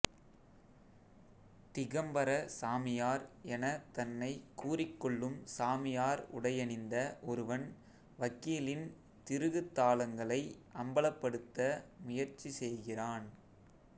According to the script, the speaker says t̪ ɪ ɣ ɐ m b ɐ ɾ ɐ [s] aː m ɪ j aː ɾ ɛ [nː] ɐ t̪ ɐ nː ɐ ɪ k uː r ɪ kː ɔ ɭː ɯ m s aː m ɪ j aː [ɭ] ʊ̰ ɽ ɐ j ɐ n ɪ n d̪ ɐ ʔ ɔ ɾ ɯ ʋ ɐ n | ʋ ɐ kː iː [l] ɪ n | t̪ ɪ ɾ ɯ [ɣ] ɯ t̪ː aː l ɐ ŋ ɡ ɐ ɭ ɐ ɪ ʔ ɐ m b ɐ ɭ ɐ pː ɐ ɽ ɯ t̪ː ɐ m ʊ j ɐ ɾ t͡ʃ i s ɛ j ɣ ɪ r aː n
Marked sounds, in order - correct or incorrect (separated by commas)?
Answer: correct, incorrect, incorrect, correct, correct